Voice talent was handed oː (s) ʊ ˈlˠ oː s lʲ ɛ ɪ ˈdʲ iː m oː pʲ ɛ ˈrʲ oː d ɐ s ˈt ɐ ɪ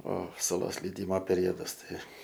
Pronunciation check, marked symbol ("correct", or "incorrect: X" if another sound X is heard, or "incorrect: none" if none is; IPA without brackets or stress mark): correct